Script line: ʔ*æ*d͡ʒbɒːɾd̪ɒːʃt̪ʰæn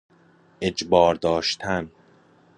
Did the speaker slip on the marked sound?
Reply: yes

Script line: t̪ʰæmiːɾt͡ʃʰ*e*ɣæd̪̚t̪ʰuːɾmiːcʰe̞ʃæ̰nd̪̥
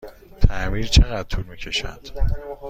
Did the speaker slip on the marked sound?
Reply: no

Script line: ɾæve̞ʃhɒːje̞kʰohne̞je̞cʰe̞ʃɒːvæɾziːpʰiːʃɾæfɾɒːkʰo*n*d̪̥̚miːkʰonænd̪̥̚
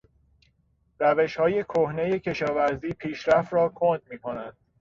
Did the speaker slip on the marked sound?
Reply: no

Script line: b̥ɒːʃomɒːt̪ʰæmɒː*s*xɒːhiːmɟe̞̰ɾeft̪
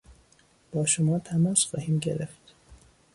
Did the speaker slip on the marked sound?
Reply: no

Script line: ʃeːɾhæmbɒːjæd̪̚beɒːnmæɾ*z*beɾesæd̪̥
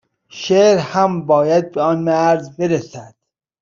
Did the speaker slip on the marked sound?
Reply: no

